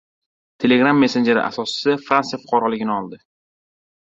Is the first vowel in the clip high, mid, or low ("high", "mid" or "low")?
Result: mid